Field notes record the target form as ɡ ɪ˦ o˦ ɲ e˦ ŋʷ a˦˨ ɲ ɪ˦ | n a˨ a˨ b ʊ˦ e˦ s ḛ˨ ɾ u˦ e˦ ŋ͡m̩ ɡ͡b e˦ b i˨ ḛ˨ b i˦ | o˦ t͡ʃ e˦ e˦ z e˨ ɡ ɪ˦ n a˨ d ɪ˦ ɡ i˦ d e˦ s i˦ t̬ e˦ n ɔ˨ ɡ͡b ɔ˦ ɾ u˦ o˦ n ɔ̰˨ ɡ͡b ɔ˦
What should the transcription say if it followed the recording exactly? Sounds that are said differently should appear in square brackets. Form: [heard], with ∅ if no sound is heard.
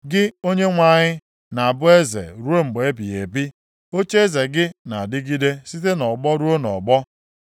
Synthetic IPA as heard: ɡ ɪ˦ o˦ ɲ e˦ ŋʷ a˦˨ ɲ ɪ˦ | n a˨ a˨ b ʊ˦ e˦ [z] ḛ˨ ɾ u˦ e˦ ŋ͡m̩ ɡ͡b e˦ b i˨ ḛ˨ b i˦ | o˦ t͡ʃ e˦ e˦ z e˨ ɡ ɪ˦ n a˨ d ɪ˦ ɡ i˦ d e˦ s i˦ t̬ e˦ n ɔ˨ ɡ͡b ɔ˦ ɾ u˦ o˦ n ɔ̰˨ ɡ͡b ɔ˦